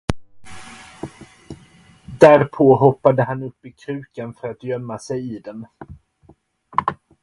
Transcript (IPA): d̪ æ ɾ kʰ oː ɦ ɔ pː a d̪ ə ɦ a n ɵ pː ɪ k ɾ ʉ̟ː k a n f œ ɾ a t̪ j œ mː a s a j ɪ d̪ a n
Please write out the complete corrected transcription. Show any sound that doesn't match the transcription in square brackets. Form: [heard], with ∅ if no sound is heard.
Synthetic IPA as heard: d̪ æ ɾ [pʰ] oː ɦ ɔ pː a d̪ ə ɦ a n ɵ pː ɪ [kʰ] ɾ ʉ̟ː k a n f œ ɾ a t̪ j œ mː a s [ɛ] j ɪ d̪ [ɛ] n